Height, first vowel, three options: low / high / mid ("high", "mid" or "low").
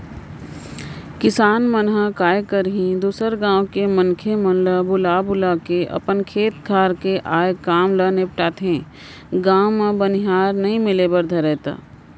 high